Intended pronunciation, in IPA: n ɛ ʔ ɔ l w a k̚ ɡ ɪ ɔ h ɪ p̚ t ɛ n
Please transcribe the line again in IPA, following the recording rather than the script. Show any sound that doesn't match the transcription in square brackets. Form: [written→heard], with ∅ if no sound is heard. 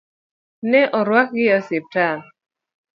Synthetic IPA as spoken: n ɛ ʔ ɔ [l→ɾ] w a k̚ ɡ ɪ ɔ [h→s] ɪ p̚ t [ɛ→a] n